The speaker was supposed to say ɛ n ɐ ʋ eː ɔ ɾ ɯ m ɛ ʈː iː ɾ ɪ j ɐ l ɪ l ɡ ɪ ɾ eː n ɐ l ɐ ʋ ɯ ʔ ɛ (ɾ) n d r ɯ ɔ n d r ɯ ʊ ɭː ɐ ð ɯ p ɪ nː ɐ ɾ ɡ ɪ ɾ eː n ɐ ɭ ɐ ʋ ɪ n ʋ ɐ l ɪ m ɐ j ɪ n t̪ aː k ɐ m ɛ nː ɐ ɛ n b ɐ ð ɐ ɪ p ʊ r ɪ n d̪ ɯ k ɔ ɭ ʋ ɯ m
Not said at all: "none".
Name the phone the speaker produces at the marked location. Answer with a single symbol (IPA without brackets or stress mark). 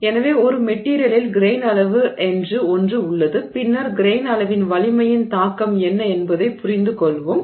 none